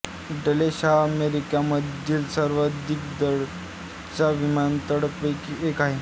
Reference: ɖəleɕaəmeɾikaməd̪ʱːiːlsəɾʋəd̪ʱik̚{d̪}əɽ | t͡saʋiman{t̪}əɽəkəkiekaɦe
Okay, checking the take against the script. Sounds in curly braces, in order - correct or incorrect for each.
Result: correct, correct

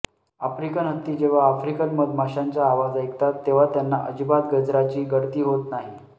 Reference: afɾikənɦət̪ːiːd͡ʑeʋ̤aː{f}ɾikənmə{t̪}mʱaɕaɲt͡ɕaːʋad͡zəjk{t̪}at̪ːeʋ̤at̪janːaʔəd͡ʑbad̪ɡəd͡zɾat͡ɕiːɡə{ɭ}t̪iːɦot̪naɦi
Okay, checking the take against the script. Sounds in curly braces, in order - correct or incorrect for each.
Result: correct, incorrect: d̪, correct, incorrect: ɽ

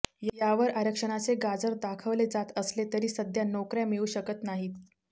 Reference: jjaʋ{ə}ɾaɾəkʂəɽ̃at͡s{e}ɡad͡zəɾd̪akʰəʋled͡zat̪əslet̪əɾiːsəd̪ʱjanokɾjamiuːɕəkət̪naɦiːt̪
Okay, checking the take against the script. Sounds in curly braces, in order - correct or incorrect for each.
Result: correct, correct

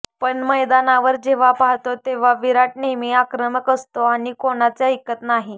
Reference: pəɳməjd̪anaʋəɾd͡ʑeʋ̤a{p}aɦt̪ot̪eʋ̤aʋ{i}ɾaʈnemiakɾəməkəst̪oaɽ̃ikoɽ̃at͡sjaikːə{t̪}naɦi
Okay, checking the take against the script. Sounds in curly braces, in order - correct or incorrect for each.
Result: correct, correct, correct

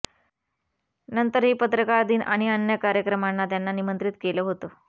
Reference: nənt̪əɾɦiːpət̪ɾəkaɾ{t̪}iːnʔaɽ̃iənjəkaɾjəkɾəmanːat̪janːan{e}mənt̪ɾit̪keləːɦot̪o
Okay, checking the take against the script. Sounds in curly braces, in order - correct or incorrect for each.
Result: incorrect: d̪, incorrect: i

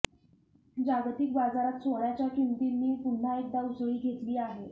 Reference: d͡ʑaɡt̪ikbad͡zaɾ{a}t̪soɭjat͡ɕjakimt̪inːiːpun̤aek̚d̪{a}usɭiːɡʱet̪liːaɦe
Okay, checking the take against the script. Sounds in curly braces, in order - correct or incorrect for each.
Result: correct, correct

